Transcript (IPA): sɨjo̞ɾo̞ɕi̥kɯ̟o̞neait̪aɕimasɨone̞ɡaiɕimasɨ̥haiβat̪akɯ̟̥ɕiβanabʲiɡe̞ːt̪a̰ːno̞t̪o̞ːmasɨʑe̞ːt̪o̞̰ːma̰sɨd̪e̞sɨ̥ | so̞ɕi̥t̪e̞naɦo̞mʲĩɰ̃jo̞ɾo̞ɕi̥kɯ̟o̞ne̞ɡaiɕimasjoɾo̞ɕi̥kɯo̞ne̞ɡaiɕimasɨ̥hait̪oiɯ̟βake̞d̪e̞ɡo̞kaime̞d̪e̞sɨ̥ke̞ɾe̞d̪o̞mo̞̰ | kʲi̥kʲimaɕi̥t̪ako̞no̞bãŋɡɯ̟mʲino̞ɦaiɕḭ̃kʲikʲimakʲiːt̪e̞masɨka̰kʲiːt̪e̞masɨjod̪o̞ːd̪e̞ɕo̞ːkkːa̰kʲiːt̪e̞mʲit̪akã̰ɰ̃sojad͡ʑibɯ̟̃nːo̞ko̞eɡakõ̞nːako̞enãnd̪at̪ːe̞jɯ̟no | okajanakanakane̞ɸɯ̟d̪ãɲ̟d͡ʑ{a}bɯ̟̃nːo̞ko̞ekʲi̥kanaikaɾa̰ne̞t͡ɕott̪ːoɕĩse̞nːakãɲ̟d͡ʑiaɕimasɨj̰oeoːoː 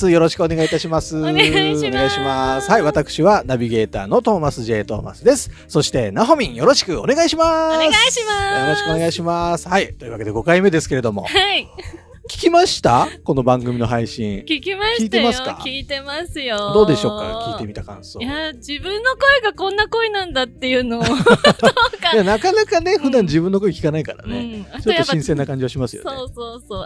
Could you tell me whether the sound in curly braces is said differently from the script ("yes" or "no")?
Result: yes